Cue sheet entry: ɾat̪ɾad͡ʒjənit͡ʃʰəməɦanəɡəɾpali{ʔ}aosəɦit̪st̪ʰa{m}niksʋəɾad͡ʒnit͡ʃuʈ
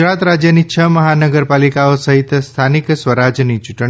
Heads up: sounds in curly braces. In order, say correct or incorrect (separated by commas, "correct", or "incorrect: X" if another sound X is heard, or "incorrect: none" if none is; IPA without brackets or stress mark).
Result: incorrect: k, incorrect: none